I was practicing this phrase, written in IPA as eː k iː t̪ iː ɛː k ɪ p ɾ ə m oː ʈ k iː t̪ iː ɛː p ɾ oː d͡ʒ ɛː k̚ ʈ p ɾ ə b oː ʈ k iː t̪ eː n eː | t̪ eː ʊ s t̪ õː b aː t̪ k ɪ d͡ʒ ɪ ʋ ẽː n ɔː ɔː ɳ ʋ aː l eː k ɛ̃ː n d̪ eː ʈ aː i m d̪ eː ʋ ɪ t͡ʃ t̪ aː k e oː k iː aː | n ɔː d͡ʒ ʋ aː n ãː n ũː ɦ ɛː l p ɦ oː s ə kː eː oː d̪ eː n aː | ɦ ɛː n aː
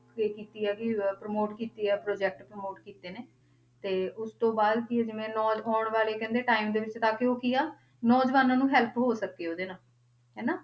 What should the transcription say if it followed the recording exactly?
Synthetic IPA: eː k iː t̪ iː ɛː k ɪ p ɾ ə m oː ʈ k iː t̪ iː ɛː p ɾ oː d͡ʒ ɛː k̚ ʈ p ɾ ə m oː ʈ k iː t̪ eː n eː | t̪ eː ʊ s t̪ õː b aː d̪ k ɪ d͡ʒ ɪ ʋ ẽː n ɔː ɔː ɳ ʋ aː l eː k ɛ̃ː n d̪ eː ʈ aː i m d̪ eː ʋ ɪ t͡ʃ t̪ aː k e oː k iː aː | n ɔː d͡ʒ ʋ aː n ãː n ũː ɦ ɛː l p ɦ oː s ə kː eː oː d̪ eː n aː | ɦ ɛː n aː

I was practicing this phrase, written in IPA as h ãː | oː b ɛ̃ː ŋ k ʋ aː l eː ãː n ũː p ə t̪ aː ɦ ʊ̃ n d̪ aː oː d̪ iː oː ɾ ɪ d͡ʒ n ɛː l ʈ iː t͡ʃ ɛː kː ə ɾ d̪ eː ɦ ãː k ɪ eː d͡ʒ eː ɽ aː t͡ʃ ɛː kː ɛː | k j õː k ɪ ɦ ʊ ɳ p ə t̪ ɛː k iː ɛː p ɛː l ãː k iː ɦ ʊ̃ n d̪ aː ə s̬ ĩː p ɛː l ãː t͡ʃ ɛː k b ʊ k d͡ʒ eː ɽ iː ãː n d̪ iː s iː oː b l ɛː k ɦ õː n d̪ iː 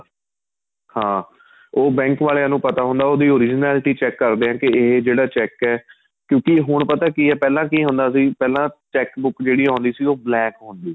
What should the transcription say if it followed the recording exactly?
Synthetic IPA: h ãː | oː b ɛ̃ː ŋ k ʋ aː l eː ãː n ũː p ə t̪ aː ɦ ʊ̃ n d̪ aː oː d̪ iː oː ɾ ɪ d͡ʒ n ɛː l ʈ iː t͡ʃ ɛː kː ə ɾ d̪ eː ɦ ãː k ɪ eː d͡ʒ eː ɽ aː t͡ʃ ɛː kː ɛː | k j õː k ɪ ɦ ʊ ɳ p ə t̪ aː k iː ɛː p ɛː l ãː k iː ɦ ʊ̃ n d̪ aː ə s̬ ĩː p ɛː l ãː t͡ʃ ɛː k b ʊ k d͡ʒ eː ɽ iː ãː n d̪ iː s iː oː b l ɛː k ɦ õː n d̪ iː

